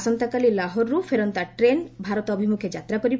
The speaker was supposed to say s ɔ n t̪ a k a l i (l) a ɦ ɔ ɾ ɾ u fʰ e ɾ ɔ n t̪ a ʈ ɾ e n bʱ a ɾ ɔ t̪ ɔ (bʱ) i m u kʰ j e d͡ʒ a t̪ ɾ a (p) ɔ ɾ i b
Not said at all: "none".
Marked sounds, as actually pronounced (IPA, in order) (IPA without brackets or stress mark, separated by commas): l, bʱ, k